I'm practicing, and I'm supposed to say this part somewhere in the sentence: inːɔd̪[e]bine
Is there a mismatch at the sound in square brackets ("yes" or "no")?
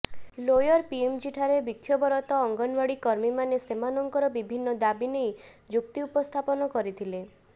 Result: yes